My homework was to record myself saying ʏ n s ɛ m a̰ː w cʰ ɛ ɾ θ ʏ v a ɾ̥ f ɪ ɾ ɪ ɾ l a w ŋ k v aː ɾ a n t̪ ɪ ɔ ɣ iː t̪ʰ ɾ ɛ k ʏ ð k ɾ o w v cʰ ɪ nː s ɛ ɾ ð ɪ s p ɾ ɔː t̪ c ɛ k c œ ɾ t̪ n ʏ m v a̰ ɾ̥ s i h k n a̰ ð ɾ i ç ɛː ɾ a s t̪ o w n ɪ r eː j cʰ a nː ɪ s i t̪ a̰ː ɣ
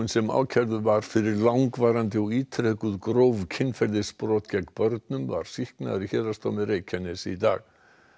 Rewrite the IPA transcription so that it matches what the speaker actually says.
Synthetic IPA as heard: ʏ n s ɛ m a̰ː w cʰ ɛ ɾ ð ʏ v a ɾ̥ f ɪ ɾ ɪ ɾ l a w ŋ k v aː ɾ a n t̪ ɪ ɔ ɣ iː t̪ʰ ɾ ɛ k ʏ ð k ɾ o w v cʰ ɪ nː f ɛ ɾ ð ɪ s p ɾ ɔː t̪ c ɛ k p œ ɾ t̪ n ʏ m v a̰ ɾ̥ s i h k n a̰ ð ɾ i ç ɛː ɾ a s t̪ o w m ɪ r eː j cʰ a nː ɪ s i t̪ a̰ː ɣ